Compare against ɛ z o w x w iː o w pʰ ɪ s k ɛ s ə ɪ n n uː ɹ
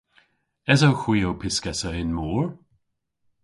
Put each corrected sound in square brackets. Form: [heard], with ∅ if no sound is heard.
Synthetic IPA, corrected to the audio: ɛ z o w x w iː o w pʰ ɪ s k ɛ s ə ɪ n [m] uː ɹ

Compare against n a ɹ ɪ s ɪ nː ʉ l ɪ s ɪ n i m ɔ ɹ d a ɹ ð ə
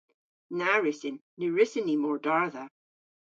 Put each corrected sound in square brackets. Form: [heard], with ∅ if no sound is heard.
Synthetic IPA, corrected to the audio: n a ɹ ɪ s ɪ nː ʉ [ɹ] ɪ s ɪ n i m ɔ ɹ d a ɹ ð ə

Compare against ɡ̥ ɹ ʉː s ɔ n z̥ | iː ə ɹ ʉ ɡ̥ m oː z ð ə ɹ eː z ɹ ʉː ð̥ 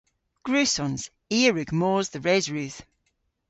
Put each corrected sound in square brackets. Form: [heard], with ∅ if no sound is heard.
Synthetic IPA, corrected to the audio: ɡ̥ ɹ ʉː s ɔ n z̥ | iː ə ɹ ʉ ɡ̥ m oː z ð ə ɹ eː z ɹ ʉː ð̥

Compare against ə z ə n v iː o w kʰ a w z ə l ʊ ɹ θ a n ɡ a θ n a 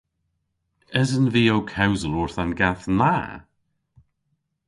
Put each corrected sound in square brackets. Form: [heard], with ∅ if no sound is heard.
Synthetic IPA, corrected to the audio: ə z ə n v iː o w kʰ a w z ə l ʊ ɹ θ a n ɡ a θ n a

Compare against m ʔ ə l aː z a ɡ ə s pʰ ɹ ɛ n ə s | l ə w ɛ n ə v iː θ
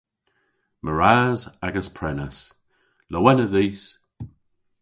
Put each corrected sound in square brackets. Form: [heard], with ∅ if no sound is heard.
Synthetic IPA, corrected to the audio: m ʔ ə [ɹ] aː z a ɡ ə s pʰ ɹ ɛ n ə s | l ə w ɛ n ə [ð] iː [s]

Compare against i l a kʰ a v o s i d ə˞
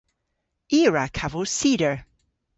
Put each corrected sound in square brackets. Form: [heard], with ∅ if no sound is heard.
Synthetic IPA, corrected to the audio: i [ɹ] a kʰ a v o s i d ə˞

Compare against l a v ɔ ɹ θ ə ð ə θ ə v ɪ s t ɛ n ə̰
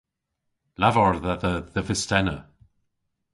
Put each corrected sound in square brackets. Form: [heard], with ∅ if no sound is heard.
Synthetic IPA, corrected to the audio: l a v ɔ ɹ [ð] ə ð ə [ð] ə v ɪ s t ɛ n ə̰

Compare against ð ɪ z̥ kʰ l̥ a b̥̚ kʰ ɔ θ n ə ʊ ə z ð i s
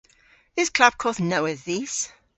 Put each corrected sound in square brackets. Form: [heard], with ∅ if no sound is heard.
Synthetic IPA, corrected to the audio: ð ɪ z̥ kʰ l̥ a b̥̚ kʰ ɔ θ n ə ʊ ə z ð i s

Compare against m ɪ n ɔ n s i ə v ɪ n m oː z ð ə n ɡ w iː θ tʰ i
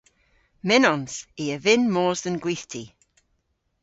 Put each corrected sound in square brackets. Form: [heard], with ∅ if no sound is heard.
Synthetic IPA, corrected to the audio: m ɪ n ɔ n s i ə v ɪ n m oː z ð ə n ɡ w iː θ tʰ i

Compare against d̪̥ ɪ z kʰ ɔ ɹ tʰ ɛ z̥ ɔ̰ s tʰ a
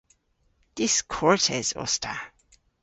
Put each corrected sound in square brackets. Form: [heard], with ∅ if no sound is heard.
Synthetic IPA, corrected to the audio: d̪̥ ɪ [s] kʰ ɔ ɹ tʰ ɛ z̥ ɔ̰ s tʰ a

